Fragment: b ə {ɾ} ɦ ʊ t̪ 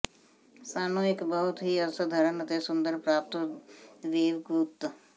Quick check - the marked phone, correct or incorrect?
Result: incorrect